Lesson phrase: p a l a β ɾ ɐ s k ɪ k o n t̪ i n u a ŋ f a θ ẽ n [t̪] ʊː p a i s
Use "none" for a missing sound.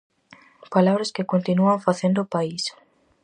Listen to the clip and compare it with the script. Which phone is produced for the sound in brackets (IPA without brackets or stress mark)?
d̪